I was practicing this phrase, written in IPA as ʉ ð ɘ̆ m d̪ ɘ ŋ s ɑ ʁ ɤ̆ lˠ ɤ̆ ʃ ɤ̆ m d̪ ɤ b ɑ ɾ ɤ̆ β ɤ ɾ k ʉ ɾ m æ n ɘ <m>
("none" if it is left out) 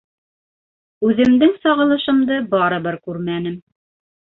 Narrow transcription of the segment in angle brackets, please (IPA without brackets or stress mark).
m